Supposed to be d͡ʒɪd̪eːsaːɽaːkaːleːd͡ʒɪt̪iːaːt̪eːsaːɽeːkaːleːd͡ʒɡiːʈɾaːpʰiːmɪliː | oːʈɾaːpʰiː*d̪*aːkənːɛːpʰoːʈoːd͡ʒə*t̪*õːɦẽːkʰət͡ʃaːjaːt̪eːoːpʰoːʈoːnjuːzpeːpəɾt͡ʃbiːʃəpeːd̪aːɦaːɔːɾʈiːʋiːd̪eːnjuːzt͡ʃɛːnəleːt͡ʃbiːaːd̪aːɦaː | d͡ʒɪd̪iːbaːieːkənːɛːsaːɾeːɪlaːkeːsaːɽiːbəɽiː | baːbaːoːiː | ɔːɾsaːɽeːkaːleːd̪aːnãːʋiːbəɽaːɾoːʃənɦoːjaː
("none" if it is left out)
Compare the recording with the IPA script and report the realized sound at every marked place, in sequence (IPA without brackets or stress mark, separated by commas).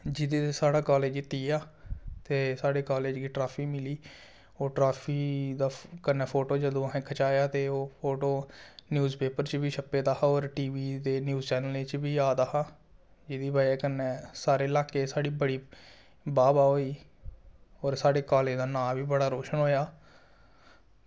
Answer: d̪, d̪